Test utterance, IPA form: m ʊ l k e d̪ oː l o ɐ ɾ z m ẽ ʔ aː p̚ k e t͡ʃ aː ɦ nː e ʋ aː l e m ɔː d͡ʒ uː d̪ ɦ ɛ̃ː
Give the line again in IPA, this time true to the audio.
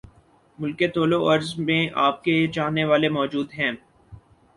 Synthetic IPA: m ʊ l k e t̪ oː l o ɐ ɾ z m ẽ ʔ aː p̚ k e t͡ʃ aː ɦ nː e ʋ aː l e m ɔː d͡ʒ uː d̪ ɦ ɛ̃ː